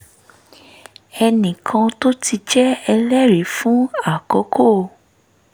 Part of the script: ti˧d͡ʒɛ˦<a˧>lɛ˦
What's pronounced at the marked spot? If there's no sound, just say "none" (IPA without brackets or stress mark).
ɛ˧